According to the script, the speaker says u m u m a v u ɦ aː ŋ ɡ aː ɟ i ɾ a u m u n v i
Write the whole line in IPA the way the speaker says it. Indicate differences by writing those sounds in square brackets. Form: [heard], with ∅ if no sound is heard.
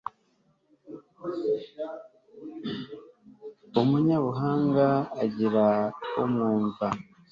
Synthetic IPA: u m u [ɲ] a [β] u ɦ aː ŋ ɡ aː ɟ i ɾ a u m [uː] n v [a]